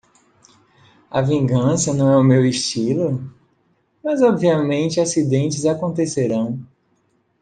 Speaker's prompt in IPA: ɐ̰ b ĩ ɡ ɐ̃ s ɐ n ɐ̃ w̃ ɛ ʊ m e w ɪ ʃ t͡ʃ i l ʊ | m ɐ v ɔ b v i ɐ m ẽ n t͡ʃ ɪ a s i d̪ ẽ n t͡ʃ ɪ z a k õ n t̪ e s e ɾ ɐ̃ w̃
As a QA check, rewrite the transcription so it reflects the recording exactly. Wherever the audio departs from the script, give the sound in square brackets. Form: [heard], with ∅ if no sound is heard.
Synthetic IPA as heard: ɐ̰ [v] ĩ ɡ ɐ̃ s ɐ n ɐ̃ w̃ ɛ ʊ m e w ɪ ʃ t͡ʃ i l ʊ | m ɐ [z] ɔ b v i ɐ m ẽ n t͡ʃ ɪ a s i d̪ ẽ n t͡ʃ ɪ z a k õ n t̪ e s e ɾ ɐ̃ w̃